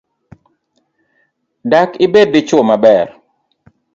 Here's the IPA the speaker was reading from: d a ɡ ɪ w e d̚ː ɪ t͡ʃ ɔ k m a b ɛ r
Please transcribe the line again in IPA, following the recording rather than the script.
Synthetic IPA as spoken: d a k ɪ b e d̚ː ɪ t͡ʃ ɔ m a b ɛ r